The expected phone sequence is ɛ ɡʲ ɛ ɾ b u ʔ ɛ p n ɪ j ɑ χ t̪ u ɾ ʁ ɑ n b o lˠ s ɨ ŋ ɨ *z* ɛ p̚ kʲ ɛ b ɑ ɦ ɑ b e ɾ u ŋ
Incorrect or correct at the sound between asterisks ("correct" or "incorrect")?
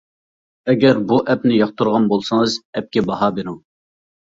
correct